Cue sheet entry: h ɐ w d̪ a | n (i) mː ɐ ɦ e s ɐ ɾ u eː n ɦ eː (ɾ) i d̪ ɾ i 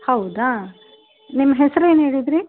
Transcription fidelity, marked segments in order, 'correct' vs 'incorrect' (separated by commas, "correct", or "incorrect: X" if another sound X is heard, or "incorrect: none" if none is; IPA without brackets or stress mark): correct, incorrect: ɽ